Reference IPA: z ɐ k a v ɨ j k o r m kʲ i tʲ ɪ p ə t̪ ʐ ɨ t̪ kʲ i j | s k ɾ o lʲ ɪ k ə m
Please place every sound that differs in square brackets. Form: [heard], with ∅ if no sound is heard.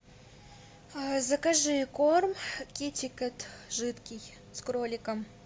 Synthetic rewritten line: z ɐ k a [ʐ] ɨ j k o r m kʲ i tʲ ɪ [k] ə t̪ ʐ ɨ t̪ kʲ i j | s k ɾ o lʲ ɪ k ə m